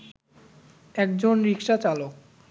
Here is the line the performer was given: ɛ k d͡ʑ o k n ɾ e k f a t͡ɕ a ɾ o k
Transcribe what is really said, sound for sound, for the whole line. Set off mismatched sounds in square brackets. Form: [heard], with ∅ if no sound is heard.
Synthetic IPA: ɛ k d͡ʑ o [∅] n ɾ [i] k [ʃ] a t͡ɕ a [l] o k